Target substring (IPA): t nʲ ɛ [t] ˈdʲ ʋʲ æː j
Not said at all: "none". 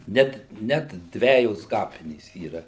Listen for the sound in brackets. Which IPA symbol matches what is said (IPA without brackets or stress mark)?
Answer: t